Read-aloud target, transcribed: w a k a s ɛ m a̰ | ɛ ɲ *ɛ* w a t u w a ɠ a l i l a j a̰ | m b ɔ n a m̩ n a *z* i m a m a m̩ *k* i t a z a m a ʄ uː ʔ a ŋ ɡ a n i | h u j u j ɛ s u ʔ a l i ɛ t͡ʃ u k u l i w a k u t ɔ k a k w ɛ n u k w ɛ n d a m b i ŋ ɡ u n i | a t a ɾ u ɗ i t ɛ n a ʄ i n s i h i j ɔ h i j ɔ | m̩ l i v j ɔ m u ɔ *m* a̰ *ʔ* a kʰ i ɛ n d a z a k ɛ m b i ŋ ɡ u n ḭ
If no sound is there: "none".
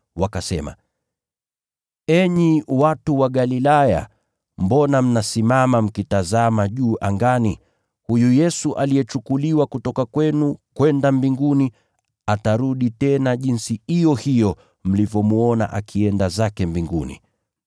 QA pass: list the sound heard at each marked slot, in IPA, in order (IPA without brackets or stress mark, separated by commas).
i, s, k, n, ʔ